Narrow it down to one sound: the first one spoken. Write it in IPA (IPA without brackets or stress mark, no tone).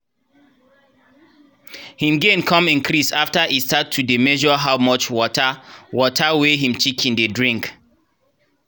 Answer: h